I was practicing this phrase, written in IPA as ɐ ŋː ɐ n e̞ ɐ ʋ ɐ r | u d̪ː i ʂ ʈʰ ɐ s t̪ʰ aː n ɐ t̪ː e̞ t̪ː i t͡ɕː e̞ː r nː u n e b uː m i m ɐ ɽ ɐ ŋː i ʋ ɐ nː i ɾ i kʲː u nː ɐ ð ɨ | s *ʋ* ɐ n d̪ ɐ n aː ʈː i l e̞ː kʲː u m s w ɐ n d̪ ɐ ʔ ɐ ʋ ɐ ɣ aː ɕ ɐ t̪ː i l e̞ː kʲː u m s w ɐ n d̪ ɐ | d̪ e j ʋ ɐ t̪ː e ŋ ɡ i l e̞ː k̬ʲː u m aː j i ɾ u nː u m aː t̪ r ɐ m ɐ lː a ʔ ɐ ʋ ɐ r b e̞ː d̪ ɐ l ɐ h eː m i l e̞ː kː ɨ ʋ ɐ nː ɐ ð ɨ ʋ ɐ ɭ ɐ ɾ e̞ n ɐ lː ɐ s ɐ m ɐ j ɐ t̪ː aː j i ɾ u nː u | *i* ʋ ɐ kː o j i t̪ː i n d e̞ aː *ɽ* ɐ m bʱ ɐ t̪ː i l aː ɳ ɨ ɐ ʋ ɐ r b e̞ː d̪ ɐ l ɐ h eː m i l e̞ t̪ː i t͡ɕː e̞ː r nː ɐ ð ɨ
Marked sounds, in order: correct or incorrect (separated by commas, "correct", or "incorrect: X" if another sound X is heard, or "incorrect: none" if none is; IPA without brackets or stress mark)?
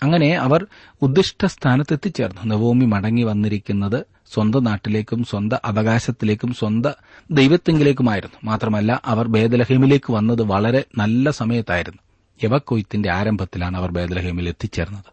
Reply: incorrect: w, incorrect: e, incorrect: ɾ